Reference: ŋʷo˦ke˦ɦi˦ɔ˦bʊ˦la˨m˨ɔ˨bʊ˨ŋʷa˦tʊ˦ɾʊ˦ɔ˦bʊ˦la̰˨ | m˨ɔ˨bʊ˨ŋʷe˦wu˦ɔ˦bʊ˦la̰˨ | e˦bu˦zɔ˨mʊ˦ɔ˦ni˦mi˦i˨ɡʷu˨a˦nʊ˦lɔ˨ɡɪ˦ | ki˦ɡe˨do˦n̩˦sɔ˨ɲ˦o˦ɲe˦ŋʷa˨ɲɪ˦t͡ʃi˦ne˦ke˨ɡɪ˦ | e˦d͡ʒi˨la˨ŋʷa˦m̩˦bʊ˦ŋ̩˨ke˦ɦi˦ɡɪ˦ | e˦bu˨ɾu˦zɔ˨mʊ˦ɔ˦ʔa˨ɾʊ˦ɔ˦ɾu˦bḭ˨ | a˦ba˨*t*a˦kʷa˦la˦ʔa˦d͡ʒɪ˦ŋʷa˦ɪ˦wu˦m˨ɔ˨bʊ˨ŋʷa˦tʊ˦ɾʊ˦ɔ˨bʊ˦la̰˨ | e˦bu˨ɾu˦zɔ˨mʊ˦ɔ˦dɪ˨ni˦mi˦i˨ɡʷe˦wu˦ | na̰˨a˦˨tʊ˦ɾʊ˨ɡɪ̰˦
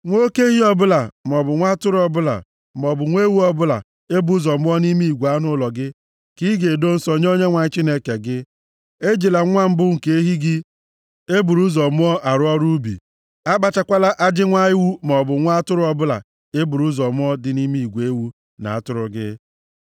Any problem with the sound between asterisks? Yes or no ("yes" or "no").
yes